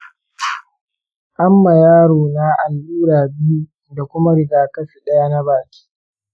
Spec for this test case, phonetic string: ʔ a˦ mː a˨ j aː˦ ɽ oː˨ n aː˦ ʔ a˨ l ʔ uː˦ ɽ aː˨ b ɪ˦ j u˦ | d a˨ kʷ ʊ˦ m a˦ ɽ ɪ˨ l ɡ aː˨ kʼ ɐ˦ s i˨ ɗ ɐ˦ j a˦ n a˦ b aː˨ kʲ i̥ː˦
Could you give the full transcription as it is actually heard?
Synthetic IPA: ʔ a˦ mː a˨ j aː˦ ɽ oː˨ n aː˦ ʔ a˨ l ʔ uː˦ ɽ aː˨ b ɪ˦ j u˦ | d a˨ kʷ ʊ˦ m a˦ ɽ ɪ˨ ɡ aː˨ k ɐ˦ s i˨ ɗ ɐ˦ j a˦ n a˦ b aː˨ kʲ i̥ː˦